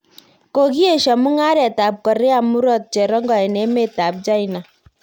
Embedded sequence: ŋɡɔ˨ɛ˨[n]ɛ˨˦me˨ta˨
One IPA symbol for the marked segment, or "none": n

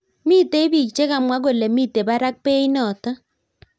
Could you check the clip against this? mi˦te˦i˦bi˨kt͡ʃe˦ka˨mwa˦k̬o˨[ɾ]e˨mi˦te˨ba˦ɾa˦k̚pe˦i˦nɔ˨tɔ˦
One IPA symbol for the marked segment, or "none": l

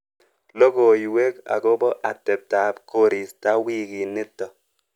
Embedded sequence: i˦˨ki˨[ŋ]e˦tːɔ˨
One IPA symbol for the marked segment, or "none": n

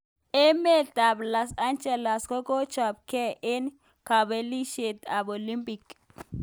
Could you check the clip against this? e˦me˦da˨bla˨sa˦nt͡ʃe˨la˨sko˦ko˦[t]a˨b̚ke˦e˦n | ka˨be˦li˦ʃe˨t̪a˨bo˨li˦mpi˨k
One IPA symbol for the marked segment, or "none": t͡ʃ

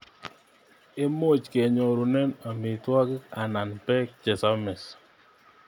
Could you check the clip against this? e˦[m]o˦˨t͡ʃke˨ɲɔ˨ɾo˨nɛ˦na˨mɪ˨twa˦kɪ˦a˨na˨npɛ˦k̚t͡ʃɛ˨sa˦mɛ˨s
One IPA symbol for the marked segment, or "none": m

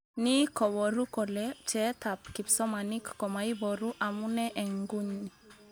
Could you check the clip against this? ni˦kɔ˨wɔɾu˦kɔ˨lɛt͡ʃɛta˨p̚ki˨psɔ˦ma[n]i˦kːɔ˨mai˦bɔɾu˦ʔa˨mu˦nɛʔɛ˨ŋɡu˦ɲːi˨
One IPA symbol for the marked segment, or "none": n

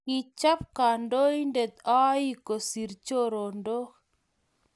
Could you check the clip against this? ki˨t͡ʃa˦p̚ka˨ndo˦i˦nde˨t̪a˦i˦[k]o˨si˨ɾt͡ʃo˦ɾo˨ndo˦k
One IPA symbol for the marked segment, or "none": k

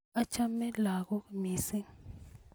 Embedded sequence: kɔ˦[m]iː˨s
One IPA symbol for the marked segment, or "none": m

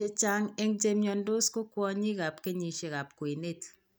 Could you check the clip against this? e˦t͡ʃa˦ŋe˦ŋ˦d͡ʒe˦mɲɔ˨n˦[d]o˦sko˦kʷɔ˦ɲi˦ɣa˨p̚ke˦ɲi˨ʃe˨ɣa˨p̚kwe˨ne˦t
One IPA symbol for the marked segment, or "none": d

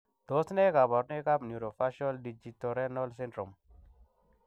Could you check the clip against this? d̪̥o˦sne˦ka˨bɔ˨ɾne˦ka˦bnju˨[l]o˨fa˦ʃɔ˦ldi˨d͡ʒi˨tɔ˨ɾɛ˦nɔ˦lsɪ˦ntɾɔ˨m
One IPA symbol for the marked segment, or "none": ɾ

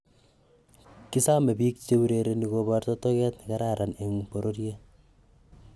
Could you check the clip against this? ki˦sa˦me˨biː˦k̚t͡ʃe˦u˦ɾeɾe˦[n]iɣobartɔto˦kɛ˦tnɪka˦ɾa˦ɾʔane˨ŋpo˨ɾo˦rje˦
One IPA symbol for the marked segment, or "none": n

